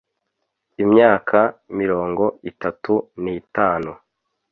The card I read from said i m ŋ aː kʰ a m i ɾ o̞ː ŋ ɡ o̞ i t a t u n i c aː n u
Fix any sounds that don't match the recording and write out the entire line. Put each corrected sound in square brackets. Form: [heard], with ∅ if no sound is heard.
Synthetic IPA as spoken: i m [ɲ] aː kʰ a m i ɾ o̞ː ŋ ɡ o̞ i t a t u n i [t] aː n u